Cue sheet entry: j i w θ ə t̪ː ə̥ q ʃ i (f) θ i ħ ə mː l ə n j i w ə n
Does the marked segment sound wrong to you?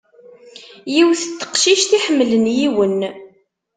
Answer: yes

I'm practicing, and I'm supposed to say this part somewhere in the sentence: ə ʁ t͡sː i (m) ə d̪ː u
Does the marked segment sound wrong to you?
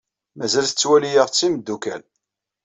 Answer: no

